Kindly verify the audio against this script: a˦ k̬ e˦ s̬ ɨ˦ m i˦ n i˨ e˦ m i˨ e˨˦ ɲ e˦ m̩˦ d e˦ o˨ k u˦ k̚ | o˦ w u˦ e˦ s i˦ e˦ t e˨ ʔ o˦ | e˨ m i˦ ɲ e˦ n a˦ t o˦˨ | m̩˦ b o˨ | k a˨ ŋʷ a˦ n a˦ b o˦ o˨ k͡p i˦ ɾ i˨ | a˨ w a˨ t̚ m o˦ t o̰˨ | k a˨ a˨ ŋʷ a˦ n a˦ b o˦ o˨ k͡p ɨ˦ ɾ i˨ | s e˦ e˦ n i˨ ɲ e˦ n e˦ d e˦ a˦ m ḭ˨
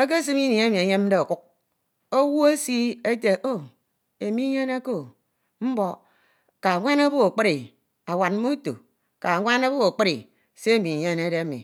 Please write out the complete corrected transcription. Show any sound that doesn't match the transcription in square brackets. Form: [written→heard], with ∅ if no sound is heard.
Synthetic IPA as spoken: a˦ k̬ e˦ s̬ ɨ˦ m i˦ n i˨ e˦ m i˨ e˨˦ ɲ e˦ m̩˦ d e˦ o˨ k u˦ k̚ | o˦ w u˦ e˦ s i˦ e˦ t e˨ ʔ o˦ | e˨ m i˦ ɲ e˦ n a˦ [t→k] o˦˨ | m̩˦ b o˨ | k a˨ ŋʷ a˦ n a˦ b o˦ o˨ k͡p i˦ ɾ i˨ | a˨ w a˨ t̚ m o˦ t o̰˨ | k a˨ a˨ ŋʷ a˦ n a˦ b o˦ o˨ k͡p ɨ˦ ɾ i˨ | s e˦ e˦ [n→m] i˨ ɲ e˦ n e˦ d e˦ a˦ m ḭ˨